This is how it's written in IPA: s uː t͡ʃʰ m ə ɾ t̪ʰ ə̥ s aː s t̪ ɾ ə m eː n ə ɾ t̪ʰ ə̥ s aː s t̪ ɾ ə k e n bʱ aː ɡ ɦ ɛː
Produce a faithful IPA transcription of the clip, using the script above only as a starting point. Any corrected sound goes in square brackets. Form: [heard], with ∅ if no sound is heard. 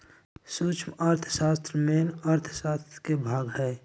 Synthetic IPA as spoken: s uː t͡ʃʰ m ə ɾ t̪ʰ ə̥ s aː s t̪ ɾ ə m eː n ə ɾ t̪ʰ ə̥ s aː s t̪ ɾ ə k e [∅] bʱ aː ɡ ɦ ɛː